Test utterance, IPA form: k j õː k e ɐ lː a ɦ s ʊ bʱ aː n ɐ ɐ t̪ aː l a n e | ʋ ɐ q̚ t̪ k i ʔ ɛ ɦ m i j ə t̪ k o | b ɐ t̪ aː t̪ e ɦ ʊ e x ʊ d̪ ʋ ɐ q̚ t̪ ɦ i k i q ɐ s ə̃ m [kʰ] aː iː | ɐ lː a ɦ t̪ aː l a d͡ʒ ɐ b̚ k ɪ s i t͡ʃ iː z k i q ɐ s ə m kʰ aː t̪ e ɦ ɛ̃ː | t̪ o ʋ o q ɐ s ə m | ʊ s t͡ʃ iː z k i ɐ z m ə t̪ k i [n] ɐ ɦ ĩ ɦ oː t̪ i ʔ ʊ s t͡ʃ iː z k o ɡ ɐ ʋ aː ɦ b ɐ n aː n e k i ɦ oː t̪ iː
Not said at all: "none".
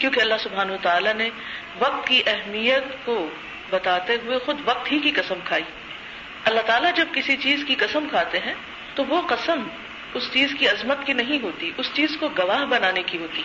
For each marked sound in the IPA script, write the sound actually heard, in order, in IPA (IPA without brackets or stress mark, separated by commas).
kʰ, n